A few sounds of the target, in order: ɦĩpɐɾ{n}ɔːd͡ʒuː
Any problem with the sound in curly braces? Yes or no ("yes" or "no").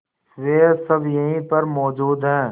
yes